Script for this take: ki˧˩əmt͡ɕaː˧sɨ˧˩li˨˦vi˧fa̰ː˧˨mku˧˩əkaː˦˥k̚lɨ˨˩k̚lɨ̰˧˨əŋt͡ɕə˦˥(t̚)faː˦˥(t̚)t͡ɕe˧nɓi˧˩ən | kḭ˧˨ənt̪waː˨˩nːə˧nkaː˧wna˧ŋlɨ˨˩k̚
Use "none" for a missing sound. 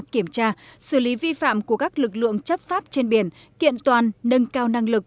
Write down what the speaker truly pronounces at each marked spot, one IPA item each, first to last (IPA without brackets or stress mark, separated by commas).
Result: p̚, p̚